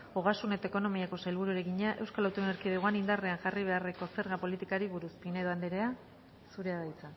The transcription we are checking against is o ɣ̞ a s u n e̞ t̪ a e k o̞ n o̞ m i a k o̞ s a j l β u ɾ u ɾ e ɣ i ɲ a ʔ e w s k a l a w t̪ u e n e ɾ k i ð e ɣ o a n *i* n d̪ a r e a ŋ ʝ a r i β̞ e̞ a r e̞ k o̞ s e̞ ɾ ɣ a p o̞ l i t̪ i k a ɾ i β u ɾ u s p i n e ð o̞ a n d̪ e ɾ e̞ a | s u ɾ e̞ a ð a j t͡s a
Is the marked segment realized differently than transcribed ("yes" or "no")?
no